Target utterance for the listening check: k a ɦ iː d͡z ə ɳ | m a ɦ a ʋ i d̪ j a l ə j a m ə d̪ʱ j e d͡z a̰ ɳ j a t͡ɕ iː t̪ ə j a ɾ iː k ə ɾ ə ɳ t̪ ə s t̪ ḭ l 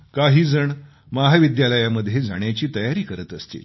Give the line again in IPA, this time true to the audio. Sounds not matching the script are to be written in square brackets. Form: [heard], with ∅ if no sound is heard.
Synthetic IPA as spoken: k a ɦ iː d͡z ə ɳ | m a ɦ a ʋ i d̪ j a l ə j a m ə d̪ʱ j e d͡z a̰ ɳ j a t͡ɕ iː t̪ ə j a ɾ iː k ə ɾ ə [∅] t̪ ə s t̪ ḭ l

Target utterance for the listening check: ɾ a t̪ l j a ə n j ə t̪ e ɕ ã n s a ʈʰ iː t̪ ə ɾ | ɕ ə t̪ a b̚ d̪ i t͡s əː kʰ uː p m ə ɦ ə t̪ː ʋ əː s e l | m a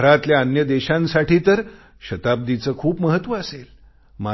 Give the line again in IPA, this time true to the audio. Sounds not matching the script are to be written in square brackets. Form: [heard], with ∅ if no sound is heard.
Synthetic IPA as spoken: ɾ a t̪ l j a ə n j ə [d̪] e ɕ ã n s a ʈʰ iː t̪ ə ɾ | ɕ ə t̪ a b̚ d̪ i t͡s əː kʰ uː p m ə ɦ ə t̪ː ʋ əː s e l | m a

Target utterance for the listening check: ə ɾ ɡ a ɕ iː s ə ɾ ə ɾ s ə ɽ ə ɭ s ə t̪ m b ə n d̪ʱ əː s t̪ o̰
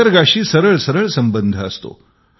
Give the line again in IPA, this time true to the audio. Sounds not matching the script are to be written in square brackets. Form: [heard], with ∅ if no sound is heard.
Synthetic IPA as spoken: ə ɾ ɡ a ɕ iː s ə ɾ ə [ɭ] s ə [ɾ] ə ɭ s ə [∅] m b ə n d̪ʱ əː s t̪ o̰

